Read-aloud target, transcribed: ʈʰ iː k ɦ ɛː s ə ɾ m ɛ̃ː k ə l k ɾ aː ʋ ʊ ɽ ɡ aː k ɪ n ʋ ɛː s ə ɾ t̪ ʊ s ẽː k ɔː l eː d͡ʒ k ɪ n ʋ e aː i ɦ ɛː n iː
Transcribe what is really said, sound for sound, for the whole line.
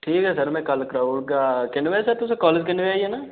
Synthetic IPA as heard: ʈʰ iː k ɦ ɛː s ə ɾ m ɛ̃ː k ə l k ɾ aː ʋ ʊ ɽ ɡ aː k ɪ n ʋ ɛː s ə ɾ t̪ ʊ s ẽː k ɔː l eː d͡ʒ k ɪ n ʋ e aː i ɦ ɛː n aː